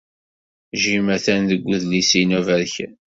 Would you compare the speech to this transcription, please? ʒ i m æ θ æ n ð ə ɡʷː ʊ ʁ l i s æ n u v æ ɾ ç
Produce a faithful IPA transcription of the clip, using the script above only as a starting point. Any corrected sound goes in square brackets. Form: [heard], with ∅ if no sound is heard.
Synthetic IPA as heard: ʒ i m æ θ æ n ð ə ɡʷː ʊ [ð] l i s [i] n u v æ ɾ ç